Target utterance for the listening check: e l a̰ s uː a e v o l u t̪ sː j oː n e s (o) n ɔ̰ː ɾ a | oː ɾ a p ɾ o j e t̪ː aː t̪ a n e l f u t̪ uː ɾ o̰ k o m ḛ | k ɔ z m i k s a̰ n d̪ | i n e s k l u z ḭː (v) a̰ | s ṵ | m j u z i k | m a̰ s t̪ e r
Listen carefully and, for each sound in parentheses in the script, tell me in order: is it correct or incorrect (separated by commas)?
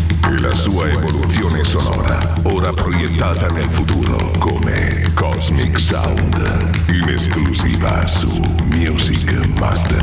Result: correct, correct